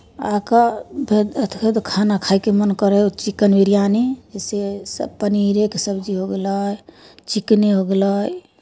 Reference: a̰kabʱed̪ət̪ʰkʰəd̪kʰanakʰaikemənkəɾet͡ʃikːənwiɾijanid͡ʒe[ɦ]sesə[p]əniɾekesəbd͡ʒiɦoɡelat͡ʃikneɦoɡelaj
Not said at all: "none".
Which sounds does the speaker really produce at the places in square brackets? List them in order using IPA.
none, p

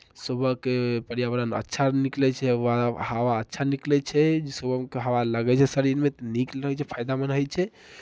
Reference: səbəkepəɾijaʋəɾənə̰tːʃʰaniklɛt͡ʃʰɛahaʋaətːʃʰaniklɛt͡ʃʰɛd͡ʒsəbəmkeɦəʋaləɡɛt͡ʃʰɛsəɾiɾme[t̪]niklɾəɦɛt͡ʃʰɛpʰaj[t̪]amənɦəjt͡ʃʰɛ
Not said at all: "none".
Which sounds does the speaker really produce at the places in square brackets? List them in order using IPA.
t̪, d̪

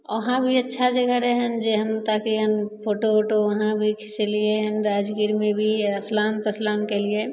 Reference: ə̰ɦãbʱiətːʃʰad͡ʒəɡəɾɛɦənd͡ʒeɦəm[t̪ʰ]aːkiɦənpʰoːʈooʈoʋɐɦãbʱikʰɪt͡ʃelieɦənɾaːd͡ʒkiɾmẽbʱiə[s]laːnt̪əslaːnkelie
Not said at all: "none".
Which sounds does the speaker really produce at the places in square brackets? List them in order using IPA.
t̪, s

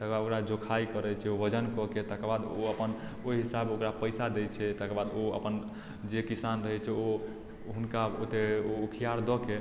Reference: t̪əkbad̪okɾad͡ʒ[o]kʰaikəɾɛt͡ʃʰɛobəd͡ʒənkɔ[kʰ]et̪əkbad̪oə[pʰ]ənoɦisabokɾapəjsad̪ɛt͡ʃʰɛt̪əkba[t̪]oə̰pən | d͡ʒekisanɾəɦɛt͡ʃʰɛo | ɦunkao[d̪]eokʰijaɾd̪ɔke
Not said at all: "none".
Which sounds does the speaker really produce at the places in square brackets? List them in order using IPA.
o, k, p, d̪, t̪

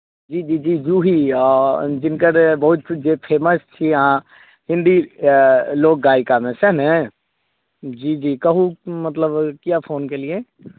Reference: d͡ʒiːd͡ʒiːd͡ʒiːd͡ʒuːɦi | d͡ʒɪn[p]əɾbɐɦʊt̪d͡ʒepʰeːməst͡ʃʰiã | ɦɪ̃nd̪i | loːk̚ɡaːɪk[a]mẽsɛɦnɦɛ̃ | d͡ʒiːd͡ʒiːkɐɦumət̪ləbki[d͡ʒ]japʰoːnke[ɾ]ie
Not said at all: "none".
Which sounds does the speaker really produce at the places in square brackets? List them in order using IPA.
k, a, none, l

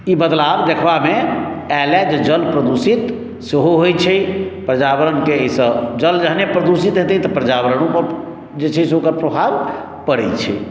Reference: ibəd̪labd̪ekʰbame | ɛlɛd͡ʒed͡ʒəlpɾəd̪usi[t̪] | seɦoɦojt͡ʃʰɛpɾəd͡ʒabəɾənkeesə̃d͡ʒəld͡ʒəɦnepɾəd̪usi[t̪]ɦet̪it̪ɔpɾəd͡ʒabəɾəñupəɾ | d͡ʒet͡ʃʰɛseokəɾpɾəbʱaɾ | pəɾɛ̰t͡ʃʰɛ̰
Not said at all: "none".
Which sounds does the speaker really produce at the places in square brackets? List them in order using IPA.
t̪, t̪

